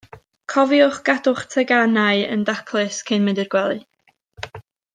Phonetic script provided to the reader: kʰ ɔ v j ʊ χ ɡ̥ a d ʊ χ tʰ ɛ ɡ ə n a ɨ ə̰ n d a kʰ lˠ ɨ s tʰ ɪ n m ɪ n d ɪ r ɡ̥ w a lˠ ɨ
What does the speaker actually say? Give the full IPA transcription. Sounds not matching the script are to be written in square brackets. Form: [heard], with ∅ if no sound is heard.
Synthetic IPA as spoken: kʰ ɔ v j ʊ χ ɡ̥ a d ʊ χ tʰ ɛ ɡ [a] n a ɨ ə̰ n d a kʰ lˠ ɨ s [kʰ] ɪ n m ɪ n d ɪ r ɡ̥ w [ɛ] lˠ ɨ